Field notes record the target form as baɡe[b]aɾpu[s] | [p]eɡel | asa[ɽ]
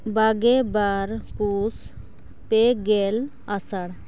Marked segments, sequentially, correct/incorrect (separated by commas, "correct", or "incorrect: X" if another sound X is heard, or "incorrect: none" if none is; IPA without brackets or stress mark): correct, correct, correct, correct